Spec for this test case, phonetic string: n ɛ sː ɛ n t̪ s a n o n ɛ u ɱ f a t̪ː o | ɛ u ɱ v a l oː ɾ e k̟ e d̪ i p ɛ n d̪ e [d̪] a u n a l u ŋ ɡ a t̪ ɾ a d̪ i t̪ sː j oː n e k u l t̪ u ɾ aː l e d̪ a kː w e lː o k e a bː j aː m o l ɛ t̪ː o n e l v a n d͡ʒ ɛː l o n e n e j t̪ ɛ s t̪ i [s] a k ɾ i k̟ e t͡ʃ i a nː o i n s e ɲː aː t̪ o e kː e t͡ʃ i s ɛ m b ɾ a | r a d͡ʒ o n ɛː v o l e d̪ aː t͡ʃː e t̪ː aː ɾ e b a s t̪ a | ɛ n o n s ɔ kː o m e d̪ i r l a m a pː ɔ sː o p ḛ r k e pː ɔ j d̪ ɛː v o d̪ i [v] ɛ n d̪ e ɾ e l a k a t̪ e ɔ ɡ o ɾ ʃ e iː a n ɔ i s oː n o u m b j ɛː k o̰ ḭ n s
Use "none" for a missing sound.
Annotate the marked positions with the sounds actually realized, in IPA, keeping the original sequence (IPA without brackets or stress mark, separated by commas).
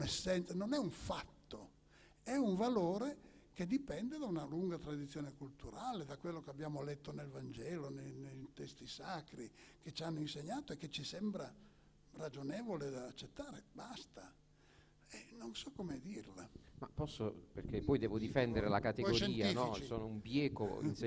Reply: d̪, s, f